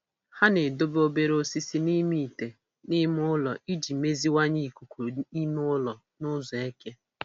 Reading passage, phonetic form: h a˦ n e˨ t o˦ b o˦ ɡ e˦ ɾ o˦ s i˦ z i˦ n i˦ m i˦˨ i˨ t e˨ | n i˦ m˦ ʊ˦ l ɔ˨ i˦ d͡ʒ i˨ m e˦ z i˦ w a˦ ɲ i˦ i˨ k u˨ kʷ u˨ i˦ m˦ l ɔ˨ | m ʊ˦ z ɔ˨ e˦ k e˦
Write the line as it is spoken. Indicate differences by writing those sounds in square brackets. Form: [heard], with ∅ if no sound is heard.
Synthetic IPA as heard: h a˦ n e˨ [d] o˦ b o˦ [b] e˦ ɾ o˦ s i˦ [s] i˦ n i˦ m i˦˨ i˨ t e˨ | n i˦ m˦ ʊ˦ l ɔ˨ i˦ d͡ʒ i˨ m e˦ z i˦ w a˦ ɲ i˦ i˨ k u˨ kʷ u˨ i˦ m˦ l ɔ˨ | [n] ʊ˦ z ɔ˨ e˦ k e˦